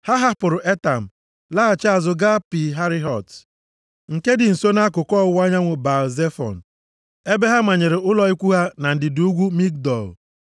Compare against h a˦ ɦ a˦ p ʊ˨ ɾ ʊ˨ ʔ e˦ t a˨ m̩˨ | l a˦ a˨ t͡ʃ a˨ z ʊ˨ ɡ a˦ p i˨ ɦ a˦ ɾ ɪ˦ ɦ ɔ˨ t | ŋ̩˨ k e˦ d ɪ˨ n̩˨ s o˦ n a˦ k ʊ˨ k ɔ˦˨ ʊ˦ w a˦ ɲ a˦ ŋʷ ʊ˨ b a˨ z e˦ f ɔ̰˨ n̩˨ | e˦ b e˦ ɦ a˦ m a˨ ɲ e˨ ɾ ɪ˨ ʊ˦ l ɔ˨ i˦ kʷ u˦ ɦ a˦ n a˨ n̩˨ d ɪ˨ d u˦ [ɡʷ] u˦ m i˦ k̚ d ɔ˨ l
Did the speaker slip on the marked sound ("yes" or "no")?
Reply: no